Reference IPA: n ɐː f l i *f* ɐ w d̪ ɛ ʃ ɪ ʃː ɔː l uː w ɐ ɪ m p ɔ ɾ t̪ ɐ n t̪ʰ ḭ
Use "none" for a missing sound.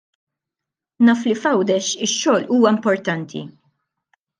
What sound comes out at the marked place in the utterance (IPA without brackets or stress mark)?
f